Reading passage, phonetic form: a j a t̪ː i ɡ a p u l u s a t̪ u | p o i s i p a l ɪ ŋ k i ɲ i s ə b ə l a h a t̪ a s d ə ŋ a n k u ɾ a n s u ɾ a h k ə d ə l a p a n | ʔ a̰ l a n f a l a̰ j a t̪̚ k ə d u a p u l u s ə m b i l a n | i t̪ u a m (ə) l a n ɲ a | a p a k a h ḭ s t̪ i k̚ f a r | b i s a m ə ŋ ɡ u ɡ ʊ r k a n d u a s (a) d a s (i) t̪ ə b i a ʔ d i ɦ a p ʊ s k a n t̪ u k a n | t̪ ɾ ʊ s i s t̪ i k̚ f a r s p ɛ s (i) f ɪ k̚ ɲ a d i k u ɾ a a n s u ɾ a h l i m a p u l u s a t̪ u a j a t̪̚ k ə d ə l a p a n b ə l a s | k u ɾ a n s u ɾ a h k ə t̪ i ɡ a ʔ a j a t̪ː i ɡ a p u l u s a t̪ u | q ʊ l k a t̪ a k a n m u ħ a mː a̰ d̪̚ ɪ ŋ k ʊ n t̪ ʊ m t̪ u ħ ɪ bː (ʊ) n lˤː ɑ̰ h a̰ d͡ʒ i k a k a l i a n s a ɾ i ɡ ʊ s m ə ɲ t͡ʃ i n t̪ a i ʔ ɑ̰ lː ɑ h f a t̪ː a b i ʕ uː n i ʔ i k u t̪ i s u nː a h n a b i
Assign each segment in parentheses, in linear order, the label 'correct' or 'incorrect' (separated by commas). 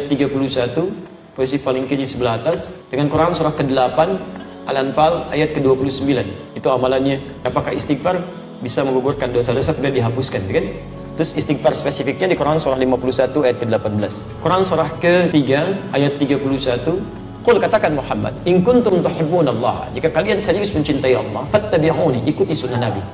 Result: incorrect, correct, incorrect, correct, incorrect